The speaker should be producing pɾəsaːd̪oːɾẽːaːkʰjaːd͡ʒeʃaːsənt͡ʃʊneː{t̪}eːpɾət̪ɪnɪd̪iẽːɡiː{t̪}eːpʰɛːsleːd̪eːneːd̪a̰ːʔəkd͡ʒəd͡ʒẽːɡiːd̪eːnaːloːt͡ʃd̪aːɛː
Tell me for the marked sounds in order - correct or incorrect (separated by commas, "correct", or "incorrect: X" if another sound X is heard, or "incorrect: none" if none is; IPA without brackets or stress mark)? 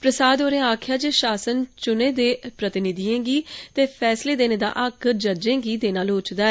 incorrect: d̪, correct